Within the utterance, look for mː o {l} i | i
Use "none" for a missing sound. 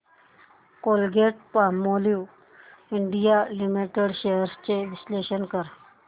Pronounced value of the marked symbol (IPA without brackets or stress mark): l